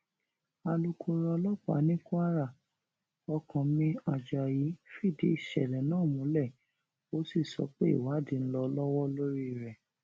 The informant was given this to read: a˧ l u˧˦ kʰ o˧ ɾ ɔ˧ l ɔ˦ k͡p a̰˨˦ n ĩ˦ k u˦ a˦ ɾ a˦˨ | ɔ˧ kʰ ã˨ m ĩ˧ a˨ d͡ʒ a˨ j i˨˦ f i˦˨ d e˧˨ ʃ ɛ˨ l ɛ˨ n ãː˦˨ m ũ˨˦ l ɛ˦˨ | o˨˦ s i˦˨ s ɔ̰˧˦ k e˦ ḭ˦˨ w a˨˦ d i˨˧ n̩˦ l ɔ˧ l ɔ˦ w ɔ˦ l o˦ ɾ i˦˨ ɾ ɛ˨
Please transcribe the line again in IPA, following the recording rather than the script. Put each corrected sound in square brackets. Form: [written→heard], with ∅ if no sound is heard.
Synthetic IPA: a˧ l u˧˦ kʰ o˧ ɾ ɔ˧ l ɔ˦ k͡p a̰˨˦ n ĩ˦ k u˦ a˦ ɾ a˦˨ | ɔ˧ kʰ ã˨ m ĩ˧ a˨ d͡ʒ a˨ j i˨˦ f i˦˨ d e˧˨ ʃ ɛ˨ l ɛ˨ n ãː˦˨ m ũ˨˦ l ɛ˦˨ | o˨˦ s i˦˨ s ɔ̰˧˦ [k→k͡p] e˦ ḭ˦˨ w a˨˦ d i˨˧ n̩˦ l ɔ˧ l ɔ˦ w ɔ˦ l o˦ ɾ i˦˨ ɾ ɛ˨